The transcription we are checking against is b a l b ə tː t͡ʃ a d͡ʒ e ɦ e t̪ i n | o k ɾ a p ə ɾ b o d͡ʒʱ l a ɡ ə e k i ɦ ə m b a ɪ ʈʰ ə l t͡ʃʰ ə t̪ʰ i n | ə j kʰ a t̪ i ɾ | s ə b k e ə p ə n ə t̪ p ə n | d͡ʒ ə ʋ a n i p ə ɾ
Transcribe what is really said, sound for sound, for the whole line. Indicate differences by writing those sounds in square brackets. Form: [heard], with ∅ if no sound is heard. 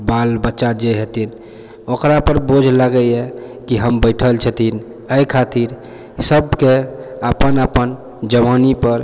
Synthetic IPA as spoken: b a l b ə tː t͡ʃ a d͡ʒ e ɦ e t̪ i n | o k ɾ a p ə ɾ b o d͡ʒʱ l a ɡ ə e k i ɦ ə m b [ə] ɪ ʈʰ ə l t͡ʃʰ ə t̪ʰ i n | ə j kʰ a t̪ i ɾ | s ə b k e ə p ə n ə [∅] p ə n | d͡ʒ ə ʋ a n i p ə ɾ